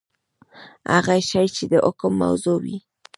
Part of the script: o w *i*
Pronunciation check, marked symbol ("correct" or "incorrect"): correct